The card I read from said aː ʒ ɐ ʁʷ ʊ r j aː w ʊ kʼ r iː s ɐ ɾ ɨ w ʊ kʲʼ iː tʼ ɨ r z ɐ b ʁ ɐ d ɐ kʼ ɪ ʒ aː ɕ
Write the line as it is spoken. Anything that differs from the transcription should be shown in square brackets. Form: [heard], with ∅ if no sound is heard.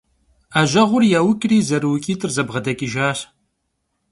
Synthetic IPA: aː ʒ ɐ ʁʷ ʊ r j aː w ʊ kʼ r iː [z] ɐ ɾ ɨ w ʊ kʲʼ iː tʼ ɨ r z ɐ b ʁ ɐ d ɐ kʼ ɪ ʒ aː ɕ